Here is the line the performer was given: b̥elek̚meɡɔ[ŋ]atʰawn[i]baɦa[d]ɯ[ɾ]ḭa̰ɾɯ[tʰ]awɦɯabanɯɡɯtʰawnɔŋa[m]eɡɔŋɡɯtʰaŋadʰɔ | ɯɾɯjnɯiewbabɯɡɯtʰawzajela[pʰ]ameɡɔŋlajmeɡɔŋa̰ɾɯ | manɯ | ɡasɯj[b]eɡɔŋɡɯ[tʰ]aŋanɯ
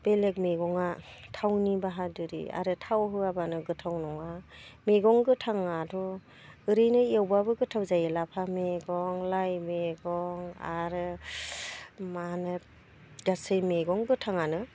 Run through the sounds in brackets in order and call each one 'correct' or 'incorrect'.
correct, correct, correct, correct, correct, correct, correct, incorrect: m, correct

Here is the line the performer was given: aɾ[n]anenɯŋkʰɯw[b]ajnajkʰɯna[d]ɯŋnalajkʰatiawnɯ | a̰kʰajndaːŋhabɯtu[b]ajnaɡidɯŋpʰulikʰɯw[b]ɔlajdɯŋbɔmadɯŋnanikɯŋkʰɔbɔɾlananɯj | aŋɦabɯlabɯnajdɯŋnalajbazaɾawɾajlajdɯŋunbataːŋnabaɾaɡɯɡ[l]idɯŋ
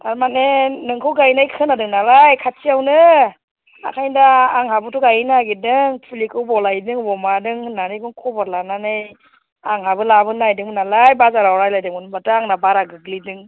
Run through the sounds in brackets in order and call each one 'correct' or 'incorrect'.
incorrect: m, incorrect: ɡ, correct, incorrect: ɡ, correct, correct

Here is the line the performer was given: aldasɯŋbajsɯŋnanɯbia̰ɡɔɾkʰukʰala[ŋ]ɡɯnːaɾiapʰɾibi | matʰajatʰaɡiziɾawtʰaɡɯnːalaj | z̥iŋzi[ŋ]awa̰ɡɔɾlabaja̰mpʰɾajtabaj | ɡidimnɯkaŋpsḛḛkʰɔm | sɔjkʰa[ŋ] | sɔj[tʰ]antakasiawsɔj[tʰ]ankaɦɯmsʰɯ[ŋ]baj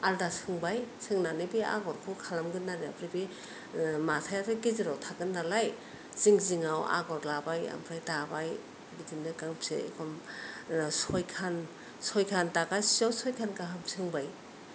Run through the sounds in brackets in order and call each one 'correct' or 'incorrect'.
incorrect: m, correct, incorrect: n, incorrect: kʰ, incorrect: kʰ, correct

